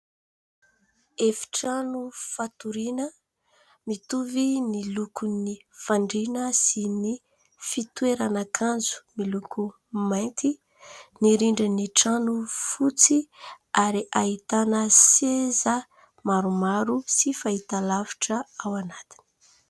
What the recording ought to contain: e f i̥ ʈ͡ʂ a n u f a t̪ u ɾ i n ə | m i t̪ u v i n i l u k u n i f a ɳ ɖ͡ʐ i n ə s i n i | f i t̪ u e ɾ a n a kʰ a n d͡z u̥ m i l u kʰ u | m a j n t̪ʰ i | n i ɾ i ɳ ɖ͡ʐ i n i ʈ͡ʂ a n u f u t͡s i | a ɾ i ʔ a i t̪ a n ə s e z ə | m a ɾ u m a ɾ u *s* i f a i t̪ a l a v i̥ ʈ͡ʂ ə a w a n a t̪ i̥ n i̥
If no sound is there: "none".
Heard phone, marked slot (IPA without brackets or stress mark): s